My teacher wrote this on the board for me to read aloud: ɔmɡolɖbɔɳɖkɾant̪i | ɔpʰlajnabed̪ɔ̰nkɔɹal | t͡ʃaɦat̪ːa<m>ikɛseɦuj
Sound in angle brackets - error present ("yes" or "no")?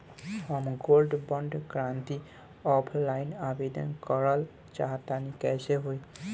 yes